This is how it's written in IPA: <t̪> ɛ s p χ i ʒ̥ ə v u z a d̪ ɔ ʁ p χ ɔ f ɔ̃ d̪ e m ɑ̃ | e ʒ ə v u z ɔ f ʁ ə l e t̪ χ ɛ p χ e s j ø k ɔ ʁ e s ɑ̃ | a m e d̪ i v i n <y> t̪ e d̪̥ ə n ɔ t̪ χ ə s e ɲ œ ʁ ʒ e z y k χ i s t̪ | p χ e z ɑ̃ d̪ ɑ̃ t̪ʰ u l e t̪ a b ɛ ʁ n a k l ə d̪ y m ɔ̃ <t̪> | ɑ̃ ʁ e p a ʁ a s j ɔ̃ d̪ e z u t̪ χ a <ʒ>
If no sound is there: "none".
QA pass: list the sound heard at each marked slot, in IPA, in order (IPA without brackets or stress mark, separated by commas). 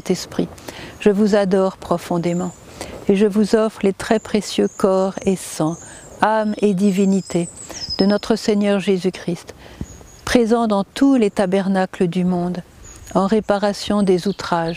t̪, i, d̪, ʒ